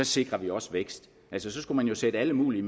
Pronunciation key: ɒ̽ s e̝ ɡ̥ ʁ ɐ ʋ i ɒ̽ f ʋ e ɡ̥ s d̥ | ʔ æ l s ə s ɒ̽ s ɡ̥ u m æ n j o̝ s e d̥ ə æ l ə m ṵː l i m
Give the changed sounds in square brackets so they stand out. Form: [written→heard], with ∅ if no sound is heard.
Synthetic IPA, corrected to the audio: ɒ̽ s e̝ ɡ̥ ʁ ɐ ʋ i ɒ̽ [f→s] ʋ e ɡ̥ s d̥ | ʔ æ l s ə s ɒ̽ s ɡ̥ u m æ n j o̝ s e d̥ ə æ l ə m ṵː l i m